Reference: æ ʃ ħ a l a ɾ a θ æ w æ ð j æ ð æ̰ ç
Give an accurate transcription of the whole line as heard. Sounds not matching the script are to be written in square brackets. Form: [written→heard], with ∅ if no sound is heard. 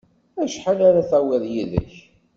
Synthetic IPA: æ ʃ ħ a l a ɾ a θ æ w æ ð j [æ→i] ð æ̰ ç

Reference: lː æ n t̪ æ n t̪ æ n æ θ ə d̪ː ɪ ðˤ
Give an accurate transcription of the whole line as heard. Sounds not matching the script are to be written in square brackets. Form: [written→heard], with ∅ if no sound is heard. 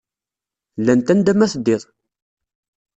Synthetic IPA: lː æ n t̪ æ n [t̪→d̪] æ [n→m] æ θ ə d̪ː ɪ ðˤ

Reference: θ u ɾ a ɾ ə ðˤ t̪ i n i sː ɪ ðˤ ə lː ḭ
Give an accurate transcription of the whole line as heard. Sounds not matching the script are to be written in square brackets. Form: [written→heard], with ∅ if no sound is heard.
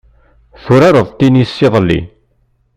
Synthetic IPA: θ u ɾ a ɾ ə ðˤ t̪ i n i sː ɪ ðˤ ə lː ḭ

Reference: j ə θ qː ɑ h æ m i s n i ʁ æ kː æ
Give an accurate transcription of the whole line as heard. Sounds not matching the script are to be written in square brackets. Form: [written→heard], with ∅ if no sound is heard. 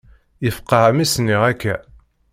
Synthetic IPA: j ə [θ→f] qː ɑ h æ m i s n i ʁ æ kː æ

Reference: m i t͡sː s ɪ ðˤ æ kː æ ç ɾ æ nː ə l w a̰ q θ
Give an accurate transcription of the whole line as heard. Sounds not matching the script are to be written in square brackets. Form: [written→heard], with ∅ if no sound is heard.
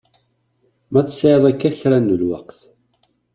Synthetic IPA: m [i→æ] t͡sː s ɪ ðˤ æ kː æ ç ɾ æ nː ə l w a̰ q θ

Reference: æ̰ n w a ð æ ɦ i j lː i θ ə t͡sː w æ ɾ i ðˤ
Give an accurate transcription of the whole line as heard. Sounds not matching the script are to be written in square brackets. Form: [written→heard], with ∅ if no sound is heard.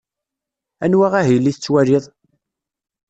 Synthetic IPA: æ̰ n w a [ð→ʁ] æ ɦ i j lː i θ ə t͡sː w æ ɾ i ðˤ

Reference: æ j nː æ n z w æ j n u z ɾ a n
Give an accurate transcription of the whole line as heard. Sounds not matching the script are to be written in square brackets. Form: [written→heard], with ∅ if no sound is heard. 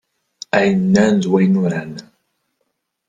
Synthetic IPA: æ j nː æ n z w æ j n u [z→∅] ɾ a n

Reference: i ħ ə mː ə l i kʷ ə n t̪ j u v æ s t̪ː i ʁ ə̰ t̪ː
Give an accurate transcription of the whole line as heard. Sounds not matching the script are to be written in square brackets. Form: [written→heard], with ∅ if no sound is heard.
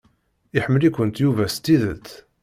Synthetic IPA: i ħ ə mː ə l i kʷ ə n t̪ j u v æ s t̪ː i [ʁ→ð] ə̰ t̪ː

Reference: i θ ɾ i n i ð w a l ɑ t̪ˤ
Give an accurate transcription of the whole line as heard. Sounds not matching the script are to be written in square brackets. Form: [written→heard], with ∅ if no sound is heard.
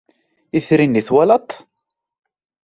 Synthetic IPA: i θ ɾ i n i [ð→θ] w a l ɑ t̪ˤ

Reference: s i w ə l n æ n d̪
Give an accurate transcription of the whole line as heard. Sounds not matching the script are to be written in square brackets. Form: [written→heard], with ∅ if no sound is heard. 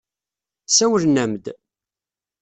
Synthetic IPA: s [i→æ] w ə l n æ [n→m] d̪

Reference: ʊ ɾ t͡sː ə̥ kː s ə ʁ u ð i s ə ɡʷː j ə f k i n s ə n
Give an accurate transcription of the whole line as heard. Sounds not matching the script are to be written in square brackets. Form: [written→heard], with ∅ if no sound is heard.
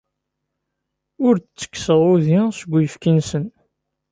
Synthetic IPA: ʊ ɾ t͡sː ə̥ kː s ə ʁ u ð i s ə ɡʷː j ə f k i n s ə n

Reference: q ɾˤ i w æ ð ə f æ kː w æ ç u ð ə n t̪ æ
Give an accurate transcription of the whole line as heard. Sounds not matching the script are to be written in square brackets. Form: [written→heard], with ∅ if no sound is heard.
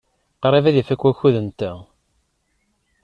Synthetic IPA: q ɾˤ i [w→v] æ ð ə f æ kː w æ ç u ð ə n t̪ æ

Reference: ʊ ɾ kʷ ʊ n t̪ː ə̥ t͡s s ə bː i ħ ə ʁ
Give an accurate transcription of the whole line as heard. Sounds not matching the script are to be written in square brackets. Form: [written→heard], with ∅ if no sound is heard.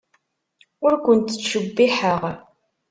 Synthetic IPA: ʊ ɾ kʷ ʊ n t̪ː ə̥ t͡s [s→ʃ] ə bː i ħ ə ʁ

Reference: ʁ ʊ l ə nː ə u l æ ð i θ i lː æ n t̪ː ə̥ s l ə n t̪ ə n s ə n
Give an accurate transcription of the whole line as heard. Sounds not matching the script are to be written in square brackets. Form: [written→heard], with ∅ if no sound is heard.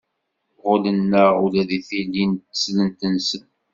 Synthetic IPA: ʁ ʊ l ə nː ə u l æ ð i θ i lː [æ→i] n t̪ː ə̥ s l ə n t̪ ə n s ə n

